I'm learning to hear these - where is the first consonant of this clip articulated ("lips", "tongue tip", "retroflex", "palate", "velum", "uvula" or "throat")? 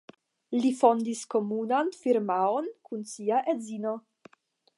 tongue tip